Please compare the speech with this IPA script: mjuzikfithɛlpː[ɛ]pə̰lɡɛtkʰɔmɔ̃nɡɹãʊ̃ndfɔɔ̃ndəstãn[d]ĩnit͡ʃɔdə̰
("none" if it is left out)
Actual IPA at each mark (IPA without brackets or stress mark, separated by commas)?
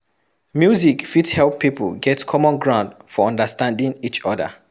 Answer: i, d